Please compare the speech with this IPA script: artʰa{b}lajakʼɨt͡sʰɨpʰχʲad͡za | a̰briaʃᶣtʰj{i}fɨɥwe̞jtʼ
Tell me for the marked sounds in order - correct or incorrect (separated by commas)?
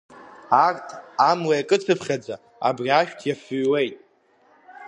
incorrect, incorrect